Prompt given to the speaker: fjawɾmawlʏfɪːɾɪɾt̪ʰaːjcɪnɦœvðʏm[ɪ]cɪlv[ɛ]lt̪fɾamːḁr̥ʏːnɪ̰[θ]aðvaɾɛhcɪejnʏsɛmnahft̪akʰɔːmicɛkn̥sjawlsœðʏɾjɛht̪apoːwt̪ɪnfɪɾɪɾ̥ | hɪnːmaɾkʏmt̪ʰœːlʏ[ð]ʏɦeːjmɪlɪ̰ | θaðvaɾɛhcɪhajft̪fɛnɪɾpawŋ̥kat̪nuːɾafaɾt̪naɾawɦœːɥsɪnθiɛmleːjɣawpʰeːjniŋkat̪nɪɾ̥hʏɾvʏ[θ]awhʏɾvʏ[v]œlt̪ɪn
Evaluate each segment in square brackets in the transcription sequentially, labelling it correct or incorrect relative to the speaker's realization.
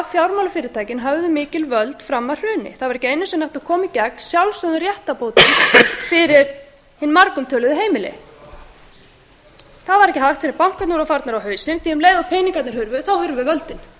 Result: incorrect, incorrect, correct, correct, correct, correct

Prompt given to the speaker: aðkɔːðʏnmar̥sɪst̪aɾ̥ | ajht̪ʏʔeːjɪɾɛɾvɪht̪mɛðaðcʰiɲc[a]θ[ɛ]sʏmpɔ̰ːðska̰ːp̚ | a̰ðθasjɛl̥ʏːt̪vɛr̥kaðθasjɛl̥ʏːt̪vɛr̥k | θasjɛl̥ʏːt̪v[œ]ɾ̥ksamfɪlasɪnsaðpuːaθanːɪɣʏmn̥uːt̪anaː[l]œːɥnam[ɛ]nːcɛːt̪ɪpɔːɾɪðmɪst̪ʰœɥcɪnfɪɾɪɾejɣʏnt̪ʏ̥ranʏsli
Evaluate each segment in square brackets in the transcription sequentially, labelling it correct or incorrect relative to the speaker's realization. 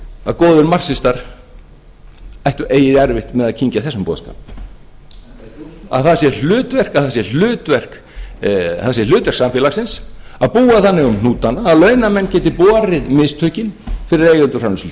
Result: correct, correct, incorrect, correct, correct

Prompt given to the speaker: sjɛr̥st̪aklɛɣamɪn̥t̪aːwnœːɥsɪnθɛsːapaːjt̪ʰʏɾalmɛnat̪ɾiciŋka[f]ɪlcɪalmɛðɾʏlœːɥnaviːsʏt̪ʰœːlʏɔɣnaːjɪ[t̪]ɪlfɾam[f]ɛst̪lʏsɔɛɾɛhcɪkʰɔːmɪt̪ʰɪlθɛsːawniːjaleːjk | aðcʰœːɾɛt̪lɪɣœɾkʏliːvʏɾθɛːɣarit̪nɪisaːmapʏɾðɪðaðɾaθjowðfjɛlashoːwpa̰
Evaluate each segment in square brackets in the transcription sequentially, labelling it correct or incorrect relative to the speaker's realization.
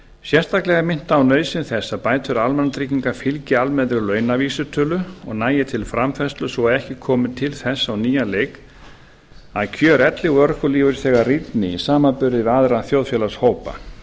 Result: correct, incorrect, correct

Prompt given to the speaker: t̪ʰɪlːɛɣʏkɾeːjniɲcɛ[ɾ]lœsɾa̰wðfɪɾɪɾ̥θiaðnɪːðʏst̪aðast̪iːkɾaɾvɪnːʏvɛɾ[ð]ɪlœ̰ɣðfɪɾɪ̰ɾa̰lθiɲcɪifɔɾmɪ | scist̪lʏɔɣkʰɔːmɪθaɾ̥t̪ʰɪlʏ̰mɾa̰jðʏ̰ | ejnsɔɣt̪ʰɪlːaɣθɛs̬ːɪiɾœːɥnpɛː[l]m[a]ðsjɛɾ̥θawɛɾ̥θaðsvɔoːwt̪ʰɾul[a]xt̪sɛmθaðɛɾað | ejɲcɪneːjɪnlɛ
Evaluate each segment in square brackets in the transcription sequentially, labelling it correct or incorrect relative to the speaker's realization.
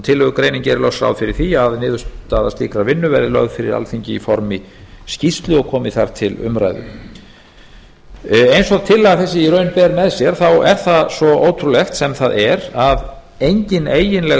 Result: correct, correct, incorrect, incorrect, incorrect

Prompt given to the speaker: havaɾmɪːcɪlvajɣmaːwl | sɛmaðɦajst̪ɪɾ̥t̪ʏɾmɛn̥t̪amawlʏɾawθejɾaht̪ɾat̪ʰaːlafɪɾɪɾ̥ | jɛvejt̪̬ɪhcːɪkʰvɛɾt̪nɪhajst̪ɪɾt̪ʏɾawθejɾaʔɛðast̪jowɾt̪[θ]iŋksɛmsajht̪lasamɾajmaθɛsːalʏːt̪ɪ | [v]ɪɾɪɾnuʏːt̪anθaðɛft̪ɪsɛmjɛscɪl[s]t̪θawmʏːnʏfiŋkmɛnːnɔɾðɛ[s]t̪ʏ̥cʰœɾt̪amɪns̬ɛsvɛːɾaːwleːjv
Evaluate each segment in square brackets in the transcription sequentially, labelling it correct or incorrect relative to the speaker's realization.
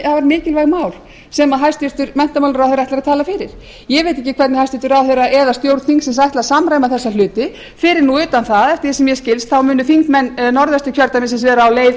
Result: correct, incorrect, correct, correct

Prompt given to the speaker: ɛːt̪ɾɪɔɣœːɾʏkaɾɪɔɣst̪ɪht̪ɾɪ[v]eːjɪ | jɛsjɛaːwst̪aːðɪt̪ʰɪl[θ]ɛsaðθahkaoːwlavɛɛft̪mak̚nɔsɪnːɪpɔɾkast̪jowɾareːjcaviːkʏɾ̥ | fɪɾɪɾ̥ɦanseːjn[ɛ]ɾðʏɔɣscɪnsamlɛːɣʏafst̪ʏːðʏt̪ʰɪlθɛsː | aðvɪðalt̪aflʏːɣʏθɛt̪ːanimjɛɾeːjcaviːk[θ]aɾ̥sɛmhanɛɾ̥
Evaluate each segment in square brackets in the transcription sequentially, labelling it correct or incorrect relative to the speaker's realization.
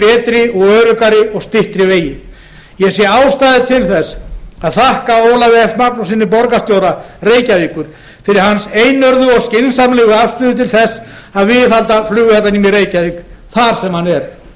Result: correct, correct, incorrect, correct

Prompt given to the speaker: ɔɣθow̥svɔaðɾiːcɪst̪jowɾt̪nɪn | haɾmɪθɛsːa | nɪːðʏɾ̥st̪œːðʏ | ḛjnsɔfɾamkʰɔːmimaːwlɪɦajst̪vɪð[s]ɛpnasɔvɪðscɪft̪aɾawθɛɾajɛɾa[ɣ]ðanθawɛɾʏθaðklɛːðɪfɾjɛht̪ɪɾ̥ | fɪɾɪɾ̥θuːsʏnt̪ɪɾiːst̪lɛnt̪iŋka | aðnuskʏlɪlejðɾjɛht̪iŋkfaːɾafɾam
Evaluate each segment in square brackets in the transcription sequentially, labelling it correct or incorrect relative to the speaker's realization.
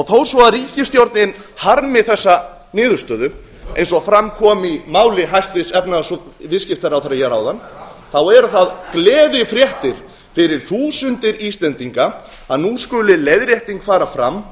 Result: correct, incorrect

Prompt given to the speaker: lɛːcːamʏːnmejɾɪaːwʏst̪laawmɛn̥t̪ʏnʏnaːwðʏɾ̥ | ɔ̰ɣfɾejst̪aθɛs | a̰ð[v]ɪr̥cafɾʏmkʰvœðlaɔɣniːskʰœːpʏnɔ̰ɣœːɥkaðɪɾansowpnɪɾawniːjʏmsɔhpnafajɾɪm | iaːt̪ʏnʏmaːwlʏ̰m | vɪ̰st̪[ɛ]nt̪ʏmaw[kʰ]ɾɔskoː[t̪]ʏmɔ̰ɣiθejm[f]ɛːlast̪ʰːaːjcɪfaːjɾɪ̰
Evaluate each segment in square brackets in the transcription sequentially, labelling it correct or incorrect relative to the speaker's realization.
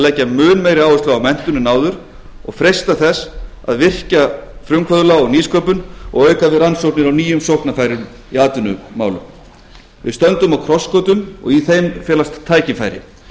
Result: correct, incorrect, correct, correct, correct

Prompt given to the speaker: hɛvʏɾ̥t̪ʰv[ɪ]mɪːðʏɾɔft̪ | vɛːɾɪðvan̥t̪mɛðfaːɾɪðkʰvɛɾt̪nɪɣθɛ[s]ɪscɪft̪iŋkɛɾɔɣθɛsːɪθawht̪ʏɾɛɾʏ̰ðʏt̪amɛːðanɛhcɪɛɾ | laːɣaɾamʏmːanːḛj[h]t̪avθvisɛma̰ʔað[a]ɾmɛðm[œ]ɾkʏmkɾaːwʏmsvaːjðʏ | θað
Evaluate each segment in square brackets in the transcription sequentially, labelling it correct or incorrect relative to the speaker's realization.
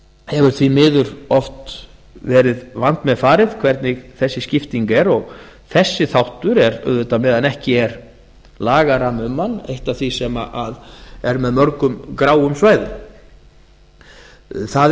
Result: incorrect, incorrect, correct, incorrect, correct

